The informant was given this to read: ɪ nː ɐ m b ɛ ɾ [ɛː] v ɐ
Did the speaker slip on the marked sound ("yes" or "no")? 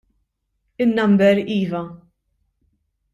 yes